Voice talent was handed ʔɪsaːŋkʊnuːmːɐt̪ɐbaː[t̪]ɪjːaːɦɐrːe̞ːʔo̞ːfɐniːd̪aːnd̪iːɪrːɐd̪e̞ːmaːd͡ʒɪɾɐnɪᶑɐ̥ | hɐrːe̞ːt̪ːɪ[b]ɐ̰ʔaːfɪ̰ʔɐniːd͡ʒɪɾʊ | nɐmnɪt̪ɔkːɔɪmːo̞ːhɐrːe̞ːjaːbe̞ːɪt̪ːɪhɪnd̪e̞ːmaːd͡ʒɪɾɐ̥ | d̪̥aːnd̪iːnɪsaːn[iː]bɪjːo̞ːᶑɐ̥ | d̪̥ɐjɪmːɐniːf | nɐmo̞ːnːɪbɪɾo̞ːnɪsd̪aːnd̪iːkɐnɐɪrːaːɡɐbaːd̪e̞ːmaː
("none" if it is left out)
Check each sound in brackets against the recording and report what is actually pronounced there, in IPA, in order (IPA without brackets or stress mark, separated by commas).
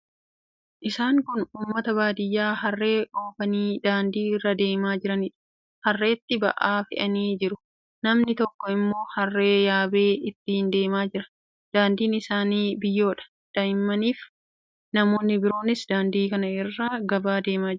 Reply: d̪, b, iː